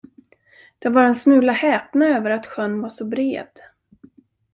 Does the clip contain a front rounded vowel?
yes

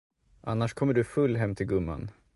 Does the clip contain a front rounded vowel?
no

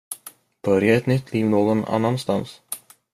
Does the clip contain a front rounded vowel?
yes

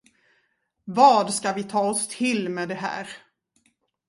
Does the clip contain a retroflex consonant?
no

